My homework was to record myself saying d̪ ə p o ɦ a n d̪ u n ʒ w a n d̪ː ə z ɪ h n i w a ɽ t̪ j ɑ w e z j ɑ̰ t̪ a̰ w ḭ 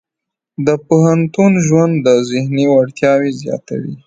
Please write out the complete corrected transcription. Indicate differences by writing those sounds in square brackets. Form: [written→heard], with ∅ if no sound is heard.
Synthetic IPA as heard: d̪ ə p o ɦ a n [d̪→t̪] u n ʒ w a n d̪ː ə z ɪ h n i w a ɽ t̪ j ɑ w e z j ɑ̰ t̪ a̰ w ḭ